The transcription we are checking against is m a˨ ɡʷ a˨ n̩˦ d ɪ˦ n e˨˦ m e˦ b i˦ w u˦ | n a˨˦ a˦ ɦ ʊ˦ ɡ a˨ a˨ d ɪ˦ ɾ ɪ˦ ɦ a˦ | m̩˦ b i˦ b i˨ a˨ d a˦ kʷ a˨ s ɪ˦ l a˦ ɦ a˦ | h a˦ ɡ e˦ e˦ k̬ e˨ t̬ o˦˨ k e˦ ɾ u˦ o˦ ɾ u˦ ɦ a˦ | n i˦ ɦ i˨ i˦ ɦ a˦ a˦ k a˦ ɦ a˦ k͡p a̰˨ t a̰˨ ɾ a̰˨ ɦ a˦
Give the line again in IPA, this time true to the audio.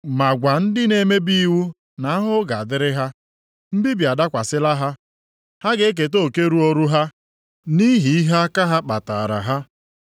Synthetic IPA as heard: m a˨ ɡʷ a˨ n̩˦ d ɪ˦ n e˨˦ m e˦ b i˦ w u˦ | n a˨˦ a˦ ɦ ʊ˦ ɡ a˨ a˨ d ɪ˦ ɾ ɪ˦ ɦ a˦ | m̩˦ b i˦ b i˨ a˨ d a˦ kʷ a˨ s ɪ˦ l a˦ ɦ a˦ | h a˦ ɡ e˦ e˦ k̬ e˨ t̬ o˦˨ k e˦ ɾ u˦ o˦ ɾ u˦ ɦ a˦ | n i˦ ɦ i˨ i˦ ɦ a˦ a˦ k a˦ ɦ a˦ k͡p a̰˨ t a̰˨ ɾ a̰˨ ɦ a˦